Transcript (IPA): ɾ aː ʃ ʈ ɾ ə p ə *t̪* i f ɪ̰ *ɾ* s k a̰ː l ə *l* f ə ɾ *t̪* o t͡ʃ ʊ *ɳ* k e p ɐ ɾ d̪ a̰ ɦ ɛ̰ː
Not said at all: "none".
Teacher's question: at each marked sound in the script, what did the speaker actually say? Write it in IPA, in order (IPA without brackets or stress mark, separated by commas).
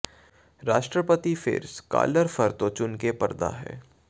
t̪, ɾ, ɾ, t̪, n